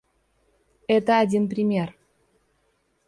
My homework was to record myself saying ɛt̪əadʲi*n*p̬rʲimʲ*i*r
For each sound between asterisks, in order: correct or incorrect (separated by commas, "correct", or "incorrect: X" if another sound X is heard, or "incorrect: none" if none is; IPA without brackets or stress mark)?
correct, incorrect: e